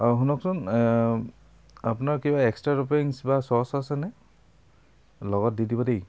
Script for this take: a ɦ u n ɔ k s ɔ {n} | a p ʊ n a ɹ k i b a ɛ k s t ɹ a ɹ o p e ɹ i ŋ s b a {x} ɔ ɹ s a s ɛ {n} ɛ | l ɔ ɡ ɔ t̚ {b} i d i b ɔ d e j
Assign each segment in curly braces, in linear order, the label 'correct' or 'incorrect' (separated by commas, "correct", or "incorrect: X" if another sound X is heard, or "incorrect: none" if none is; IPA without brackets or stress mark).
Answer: correct, incorrect: s, correct, incorrect: d